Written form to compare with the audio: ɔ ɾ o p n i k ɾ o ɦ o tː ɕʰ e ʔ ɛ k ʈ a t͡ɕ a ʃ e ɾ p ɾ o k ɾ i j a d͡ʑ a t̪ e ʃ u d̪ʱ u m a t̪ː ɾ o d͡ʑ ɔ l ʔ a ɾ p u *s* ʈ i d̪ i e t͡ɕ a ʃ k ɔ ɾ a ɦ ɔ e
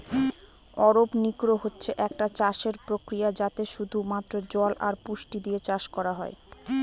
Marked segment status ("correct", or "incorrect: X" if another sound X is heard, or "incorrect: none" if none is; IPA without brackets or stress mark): incorrect: ʃ